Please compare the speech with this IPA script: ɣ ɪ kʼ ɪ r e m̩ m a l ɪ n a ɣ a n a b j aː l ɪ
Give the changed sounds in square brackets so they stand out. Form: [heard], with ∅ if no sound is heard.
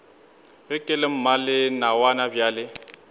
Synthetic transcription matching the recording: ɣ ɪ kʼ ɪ [l] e m̩ m a l ɪ n a [w] a n a b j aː l ɪ